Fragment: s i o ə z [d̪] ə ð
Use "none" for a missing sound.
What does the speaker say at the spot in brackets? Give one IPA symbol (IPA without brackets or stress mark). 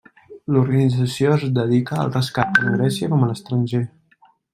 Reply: d̪